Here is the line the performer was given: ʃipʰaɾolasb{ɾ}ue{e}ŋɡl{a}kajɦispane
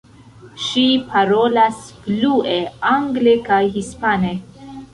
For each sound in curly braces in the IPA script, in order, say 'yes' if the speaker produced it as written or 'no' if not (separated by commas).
no, no, no